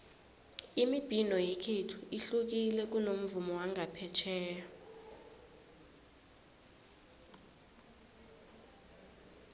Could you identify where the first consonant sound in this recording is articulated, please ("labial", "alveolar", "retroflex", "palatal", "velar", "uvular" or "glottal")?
labial